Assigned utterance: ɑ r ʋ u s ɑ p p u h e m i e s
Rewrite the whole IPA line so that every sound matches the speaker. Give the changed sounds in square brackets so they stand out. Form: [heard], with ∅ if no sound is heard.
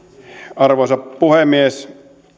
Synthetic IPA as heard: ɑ r ʋ [o] s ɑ p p u h e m i e s